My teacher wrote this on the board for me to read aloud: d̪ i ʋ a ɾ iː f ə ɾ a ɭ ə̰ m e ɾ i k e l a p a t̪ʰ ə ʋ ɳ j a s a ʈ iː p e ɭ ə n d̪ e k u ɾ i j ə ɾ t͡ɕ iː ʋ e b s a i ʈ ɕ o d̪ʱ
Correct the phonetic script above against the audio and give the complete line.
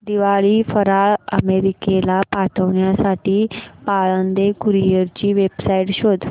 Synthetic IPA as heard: d̪ i ʋ a ɭ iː f ə ɾ a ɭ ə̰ m e ɾ i k e l a p a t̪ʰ ə ʋ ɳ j a s a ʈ iː p a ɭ ə n d̪ e k u ɾ i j ə ɾ t͡ɕ iː ʋ e b s a i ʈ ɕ o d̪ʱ